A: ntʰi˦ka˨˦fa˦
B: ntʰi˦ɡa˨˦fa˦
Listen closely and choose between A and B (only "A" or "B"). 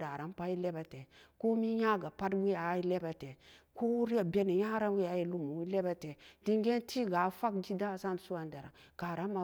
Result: B